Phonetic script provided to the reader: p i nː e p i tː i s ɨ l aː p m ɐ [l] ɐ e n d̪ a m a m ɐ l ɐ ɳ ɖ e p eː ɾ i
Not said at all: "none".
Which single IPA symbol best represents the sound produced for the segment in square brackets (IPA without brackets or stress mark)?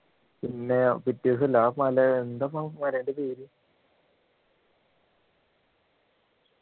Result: l